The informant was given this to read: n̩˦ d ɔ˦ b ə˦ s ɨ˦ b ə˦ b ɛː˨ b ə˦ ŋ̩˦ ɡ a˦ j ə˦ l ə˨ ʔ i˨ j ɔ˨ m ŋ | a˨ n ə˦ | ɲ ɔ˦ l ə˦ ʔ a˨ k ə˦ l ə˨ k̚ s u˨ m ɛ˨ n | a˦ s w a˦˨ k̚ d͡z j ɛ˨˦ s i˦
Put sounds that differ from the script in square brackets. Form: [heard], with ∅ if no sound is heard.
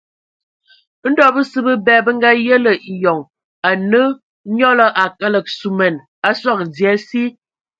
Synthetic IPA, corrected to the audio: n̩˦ d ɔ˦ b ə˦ s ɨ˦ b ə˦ b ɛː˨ b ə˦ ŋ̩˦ ɡ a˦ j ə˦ l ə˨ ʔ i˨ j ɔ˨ [∅] ŋ | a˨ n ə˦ | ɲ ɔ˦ l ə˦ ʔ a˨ k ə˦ l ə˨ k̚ s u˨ m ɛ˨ n | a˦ s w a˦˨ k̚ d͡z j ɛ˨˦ s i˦

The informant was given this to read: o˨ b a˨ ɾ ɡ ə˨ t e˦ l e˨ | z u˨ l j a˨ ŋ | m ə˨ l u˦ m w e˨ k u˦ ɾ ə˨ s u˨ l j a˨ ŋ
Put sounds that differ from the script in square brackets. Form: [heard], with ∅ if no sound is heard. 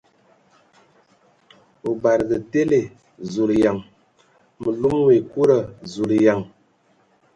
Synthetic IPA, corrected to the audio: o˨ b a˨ ɾ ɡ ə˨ t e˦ l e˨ | z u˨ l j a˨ ŋ | m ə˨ l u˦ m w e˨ k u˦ ɾ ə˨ [z] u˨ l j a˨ ŋ

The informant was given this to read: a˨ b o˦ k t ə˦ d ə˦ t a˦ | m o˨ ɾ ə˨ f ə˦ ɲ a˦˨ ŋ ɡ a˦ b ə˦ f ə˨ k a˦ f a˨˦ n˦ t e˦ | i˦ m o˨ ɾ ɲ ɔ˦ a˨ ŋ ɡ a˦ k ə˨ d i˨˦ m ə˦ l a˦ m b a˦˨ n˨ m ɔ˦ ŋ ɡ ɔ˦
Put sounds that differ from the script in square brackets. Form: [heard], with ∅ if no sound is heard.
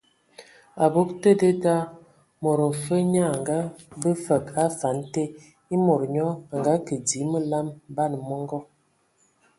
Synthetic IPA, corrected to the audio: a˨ b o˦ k t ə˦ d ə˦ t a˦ | m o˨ ɾ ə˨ f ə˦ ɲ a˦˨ ŋ ɡ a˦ b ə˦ f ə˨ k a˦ f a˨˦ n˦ t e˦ | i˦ m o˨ ɾ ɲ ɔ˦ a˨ ŋ ɡ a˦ k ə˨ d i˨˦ m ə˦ l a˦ m b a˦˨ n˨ m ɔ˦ ŋ ɡ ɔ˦

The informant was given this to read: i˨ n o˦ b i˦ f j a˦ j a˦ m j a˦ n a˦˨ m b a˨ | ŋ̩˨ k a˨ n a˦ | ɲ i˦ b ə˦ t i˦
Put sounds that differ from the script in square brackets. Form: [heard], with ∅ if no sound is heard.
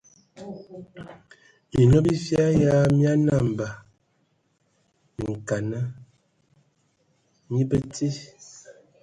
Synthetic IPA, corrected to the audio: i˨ n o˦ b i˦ f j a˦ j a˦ m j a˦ n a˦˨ m b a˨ | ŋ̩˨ k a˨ n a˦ | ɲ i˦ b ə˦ t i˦

